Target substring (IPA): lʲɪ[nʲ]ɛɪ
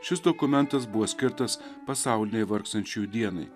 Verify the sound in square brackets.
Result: correct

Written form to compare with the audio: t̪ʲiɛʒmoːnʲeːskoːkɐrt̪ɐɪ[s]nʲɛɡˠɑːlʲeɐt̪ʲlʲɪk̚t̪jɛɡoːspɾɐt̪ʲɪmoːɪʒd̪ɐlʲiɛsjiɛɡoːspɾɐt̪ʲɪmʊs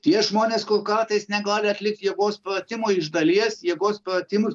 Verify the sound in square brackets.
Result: correct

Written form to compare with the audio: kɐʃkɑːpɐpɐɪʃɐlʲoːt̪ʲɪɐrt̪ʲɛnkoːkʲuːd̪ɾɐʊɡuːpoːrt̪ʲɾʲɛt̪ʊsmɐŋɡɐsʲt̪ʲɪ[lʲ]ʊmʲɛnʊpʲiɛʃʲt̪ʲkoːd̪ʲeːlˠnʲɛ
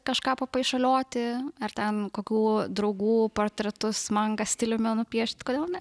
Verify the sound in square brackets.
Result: correct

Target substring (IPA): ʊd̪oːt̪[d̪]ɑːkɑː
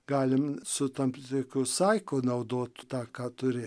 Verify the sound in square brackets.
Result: incorrect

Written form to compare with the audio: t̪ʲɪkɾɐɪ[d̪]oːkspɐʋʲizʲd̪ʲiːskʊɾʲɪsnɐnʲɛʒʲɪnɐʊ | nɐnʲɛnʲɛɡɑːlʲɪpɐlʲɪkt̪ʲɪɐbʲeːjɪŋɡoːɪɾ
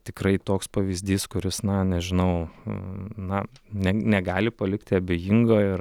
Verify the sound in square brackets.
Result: incorrect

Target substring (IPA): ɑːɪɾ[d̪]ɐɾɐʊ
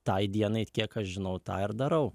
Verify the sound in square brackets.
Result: correct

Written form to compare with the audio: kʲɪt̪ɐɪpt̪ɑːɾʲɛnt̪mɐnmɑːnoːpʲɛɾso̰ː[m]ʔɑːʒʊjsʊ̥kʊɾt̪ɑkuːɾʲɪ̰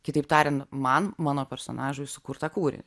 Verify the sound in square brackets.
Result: incorrect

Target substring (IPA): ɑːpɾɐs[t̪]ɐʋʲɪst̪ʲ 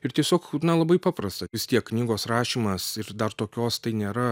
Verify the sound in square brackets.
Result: correct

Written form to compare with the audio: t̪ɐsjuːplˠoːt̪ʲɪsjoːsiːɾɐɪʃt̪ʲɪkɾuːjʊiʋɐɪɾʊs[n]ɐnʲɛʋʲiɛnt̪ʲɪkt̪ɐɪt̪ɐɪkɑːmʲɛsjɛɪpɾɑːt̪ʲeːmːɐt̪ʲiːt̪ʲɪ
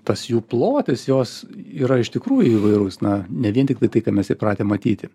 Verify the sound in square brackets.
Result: correct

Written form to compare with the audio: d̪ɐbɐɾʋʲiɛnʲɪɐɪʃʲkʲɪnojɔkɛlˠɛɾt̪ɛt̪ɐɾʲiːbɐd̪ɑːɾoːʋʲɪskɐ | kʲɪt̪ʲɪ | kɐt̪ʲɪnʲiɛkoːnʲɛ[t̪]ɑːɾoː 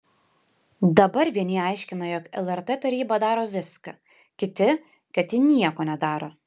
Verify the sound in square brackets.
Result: incorrect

